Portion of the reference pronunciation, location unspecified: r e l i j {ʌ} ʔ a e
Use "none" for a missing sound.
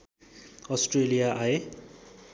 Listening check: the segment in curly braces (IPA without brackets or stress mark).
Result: a